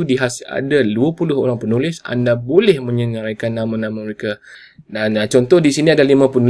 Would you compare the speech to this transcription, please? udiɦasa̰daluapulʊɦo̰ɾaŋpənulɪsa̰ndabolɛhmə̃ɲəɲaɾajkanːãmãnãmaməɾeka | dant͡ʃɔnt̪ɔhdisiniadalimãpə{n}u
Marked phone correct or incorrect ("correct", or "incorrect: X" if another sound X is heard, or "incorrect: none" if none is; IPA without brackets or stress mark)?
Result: correct